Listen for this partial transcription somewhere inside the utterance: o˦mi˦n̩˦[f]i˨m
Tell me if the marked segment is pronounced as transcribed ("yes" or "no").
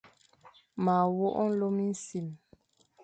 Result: no